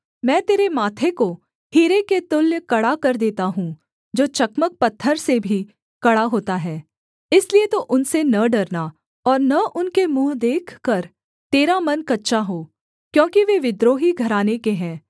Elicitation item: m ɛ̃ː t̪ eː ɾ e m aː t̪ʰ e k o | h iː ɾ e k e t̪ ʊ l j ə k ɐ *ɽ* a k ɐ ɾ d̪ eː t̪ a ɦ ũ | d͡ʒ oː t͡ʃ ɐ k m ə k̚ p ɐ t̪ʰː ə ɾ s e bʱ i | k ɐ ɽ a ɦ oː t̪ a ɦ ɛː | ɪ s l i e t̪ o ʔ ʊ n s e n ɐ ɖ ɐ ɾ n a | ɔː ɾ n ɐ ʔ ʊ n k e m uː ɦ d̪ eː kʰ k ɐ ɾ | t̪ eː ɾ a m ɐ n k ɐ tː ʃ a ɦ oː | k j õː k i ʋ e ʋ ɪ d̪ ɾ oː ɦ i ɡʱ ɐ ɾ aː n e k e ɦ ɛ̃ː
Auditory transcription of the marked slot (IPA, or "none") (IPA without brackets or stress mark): ɽ